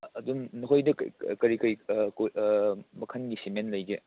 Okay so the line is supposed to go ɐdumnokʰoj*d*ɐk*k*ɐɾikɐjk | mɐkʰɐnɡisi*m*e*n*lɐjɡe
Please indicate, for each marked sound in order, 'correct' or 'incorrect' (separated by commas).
correct, correct, correct, correct